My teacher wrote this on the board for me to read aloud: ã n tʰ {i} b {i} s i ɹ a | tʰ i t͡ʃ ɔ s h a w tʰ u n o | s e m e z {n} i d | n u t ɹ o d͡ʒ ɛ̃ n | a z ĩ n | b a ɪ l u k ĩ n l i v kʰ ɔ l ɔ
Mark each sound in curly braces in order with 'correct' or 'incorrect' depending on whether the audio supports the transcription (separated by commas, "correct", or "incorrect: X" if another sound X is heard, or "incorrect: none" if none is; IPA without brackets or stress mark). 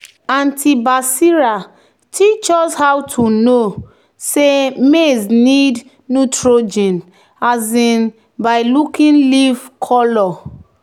correct, incorrect: a, correct